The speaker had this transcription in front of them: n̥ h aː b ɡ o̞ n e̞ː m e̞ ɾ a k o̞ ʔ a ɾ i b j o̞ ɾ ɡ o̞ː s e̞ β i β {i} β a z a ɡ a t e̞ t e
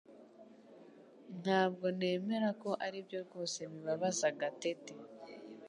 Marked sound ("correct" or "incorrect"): incorrect